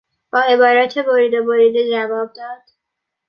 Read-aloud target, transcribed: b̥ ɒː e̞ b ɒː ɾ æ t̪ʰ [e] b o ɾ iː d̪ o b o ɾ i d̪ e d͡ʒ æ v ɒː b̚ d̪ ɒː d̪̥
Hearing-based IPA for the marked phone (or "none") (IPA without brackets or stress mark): e